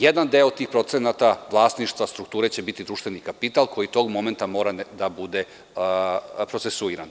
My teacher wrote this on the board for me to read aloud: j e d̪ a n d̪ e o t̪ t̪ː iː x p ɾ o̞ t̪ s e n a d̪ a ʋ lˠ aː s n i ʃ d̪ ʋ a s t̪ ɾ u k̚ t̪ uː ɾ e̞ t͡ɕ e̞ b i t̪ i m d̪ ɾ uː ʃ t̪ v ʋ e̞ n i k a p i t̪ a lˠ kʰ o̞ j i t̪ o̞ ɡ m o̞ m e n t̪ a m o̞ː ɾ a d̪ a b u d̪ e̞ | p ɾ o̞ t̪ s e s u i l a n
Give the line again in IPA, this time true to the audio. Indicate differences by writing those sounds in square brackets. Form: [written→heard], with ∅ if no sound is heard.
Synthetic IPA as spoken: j e d̪ a n d̪ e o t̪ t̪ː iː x p ɾ o̞ t̪ s e n a [d̪→t̪] a ʋ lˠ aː s n i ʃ [d̪→t̪] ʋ a s t̪ ɾ u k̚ t̪ uː ɾ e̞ t͡ɕ e̞ b i t̪ i [m→∅] d̪ ɾ uː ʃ t̪ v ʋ e̞ n i k a p i t̪ a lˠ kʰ o̞ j i t̪ o̞ ɡ m o̞ m e n t̪ a m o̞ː ɾ a d̪ a b u d̪ e̞ | p ɾ o̞ t̪ s e s u i [l→ɾ] a n

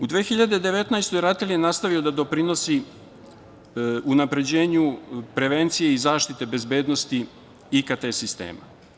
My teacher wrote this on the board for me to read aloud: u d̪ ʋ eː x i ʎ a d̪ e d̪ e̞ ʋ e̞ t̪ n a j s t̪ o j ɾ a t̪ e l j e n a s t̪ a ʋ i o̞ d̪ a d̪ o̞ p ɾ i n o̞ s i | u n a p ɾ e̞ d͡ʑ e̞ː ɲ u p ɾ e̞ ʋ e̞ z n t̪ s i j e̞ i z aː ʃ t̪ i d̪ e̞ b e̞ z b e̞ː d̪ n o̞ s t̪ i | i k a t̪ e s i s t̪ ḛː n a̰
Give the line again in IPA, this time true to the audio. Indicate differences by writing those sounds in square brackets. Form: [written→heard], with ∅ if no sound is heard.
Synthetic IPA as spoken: u d̪ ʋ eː x i ʎ a d̪ e d̪ e̞ ʋ e̞ t̪ n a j s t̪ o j ɾ a t̪ e l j e n a s t̪ a ʋ i o̞ d̪ a d̪ o̞ p ɾ i n o̞ s i | u n a p ɾ e̞ d͡ʑ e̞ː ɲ u p ɾ e̞ ʋ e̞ [z→∅] n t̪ s i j e̞ i z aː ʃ t̪ i [d̪→t̪] e̞ b e̞ z b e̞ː d̪ n o̞ s t̪ i | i k a t̪ e s i s t̪ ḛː [n→m] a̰

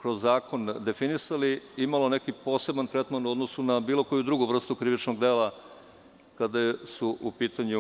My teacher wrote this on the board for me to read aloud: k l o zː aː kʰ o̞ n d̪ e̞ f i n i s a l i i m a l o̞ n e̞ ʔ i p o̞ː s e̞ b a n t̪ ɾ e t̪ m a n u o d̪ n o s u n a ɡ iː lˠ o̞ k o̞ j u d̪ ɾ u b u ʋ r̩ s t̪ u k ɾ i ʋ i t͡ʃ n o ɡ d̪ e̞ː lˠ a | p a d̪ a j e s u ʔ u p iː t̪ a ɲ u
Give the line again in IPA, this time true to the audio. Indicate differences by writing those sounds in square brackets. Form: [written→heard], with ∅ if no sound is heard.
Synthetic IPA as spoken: k [l→ɾ] o zː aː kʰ o̞ n d̪ e̞ f i n i s a l i i m a l o̞ n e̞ [ʔ→k] i p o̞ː s e̞ b a n t̪ ɾ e t̪ m a n u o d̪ n o s u n a [ɡ→b] iː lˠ o̞ k o̞ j u d̪ ɾ u [b→ɡ] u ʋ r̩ s t̪ u k ɾ i ʋ i t͡ʃ n o ɡ d̪ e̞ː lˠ a | [p→k] a d̪ a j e s u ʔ u p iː t̪ a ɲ u

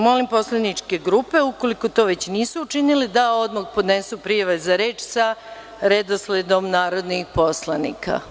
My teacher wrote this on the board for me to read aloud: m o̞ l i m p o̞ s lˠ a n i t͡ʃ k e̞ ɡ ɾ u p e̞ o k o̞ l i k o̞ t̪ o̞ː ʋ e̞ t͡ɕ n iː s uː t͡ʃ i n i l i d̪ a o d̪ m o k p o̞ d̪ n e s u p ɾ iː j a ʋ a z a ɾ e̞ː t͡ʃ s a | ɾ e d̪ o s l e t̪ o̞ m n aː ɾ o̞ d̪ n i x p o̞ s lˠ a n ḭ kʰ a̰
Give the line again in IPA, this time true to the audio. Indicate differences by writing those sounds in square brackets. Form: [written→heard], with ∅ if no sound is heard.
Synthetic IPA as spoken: m o̞ l i m p o̞ s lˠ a n i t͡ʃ k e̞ ɡ ɾ u p e̞ [o→u] k o̞ l i k o̞ t̪ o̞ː ʋ e̞ t͡ɕ n iː s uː t͡ʃ i n i l i d̪ a o d̪ m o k p o̞ d̪ n e s u p ɾ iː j a ʋ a z a ɾ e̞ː t͡ʃ s a | ɾ e d̪ o s l e [t̪→d̪] o̞ m n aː ɾ o̞ d̪ n i x p o̞ s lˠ a n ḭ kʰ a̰

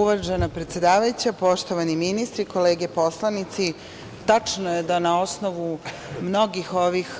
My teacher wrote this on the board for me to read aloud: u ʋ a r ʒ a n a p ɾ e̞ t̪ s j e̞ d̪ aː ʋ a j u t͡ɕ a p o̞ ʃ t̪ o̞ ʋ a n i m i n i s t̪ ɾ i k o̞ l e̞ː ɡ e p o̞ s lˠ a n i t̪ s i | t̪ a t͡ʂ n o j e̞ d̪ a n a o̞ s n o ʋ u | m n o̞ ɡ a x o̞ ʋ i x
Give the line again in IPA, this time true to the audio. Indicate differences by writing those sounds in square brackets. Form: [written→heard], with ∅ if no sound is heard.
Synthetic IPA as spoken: u ʋ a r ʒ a n a p ɾ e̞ t̪ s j e̞ d̪ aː ʋ a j u t͡ɕ a p o̞ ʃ t̪ o̞ ʋ a n i m i n i s t̪ ɾ i k o̞ l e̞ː ɡ e p o̞ s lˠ a n i t̪ s i | t̪ a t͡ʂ n o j e̞ d̪ a n a o̞ s n o ʋ u | m n o̞ ɡ [a→i] x o̞ ʋ i x

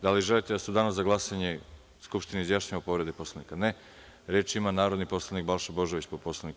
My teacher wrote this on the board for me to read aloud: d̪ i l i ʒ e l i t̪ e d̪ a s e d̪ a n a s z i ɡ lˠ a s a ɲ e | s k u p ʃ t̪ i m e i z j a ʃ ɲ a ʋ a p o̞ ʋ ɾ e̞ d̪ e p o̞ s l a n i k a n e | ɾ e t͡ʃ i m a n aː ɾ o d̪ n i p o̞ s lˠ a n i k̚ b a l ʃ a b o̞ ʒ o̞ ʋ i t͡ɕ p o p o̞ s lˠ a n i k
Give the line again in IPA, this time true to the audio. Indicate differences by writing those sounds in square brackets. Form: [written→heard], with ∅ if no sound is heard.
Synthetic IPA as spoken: d̪ [i→a] l i ʒ e l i t̪ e d̪ a s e d̪ a n a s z [i→a] ɡ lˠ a s a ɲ e | s k u p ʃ t̪ i [m→n] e i z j a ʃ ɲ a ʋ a p o̞ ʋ ɾ e̞ d̪ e p o̞ s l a n i k a n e | ɾ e t͡ʃ i m a n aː ɾ o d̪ n i p o̞ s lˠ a n i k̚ b a l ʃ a b o̞ ʒ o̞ ʋ i t͡ɕ p o p o̞ s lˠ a n i k

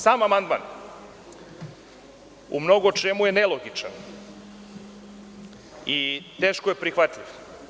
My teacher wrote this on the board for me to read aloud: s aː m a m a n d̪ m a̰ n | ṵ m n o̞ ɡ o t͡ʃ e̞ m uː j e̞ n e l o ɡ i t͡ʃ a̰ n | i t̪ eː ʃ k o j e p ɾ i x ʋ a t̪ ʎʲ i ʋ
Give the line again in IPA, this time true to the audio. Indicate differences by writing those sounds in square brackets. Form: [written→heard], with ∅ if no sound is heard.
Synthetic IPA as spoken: s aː m a m a n d̪ m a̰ n | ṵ m n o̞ ɡ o t͡ʃ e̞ m [uː→u] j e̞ n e l o ɡ i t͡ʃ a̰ n | i t̪ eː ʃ k o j e p ɾ i x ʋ a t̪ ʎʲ i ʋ

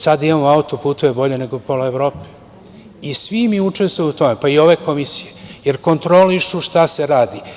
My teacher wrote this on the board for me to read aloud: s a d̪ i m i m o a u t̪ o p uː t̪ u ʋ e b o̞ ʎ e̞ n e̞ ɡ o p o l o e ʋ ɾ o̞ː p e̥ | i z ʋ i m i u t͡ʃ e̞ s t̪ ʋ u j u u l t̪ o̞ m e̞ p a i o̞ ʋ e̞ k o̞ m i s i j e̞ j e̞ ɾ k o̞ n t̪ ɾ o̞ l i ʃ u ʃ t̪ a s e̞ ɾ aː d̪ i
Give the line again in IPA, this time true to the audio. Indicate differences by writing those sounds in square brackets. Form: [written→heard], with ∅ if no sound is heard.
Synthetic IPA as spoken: s a d̪ i m [i→a] m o a u t̪ o p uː t̪ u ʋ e b o̞ ʎ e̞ n e̞ ɡ o p o l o e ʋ ɾ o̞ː p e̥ | i [z→s] ʋ i m i u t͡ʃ e̞ s t̪ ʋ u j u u [l→∅] t̪ o̞ m e̞ p a i o̞ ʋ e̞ k o̞ m i s i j e̞ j e̞ ɾ k o̞ n t̪ ɾ o̞ l i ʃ u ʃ t̪ a s e̞ ɾ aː d̪ i

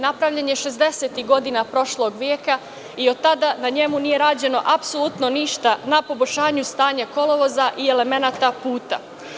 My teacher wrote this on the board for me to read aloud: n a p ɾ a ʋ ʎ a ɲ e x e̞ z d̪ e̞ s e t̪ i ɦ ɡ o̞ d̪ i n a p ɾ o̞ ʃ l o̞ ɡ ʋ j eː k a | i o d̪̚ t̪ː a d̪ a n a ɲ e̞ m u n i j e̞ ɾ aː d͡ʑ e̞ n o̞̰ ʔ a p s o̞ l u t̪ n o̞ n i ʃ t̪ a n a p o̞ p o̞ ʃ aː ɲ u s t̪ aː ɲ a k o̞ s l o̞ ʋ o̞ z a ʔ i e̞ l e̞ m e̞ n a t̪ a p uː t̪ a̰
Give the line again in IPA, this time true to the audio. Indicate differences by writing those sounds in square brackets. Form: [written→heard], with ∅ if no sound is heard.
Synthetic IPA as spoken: n a p ɾ a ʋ ʎ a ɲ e [x→ʃ] e̞ z d̪ e̞ s e t̪ i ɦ ɡ o̞ d̪ i n a p ɾ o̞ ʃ l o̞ ɡ ʋ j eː k a | i o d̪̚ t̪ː a d̪ a n a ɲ e̞ m u n i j e̞ ɾ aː d͡ʑ e̞ n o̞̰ ʔ a p s o̞ l u t̪ n o̞ n i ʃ t̪ a n a p o̞ [p→b] o̞ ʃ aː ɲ u s t̪ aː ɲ a k o̞ [s→∅] l o̞ ʋ o̞ z a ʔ i e̞ l e̞ m e̞ n a t̪ a p uː t̪ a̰

